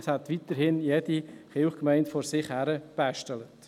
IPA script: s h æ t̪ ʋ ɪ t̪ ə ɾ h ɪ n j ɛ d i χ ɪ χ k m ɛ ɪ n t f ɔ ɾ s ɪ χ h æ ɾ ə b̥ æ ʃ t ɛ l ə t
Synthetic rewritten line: s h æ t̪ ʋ i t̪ ə ɾ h ɪ n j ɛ d i χ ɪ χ k m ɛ ɪ n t f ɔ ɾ s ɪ χ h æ ɾ ə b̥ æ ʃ t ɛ l ə t